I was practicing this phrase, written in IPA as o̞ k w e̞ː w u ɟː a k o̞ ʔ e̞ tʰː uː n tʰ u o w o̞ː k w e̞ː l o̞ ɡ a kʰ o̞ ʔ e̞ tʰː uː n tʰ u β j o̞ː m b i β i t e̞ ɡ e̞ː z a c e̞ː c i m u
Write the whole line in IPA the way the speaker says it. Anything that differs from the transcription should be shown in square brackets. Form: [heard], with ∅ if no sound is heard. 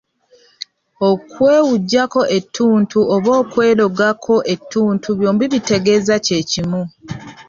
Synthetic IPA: o̞ k w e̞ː w u ɟː a k o̞ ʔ e̞ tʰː uː n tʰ u o [β] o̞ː k w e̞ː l o̞ ɡ a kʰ o̞ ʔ e̞ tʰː uː n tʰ u β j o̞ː m b i β i t e̞ ɡ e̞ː z a c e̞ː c i m u